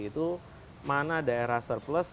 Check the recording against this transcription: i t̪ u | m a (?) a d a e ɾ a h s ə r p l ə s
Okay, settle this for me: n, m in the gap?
n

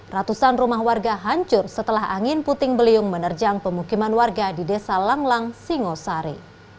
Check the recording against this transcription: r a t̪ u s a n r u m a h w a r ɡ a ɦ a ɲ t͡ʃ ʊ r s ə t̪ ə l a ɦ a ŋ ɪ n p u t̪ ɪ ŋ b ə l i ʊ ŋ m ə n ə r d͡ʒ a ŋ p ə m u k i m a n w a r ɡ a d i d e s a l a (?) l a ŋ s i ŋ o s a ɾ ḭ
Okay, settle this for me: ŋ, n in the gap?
ŋ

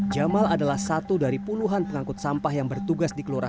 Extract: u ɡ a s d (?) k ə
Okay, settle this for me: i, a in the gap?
i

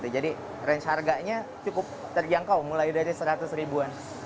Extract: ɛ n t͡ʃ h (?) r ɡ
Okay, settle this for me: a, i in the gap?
a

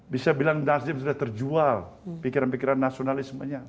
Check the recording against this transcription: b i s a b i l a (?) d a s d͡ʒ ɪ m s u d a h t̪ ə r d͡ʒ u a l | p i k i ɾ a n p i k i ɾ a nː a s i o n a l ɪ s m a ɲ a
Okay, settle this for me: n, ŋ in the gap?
ŋ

